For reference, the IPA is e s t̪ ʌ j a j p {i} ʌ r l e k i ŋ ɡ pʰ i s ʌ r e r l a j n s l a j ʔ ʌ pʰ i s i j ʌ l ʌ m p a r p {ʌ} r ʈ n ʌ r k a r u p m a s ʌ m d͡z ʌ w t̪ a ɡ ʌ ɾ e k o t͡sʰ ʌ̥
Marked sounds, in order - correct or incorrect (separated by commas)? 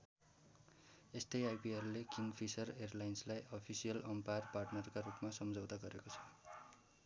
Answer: correct, incorrect